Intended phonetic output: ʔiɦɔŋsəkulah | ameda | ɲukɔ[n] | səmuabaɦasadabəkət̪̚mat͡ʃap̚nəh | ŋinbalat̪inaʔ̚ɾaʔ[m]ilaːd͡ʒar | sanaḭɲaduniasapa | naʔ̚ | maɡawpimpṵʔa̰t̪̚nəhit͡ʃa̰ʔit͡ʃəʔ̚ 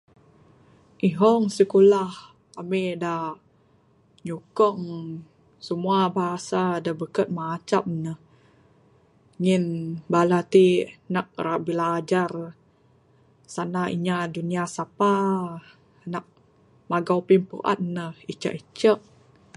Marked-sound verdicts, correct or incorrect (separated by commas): incorrect, incorrect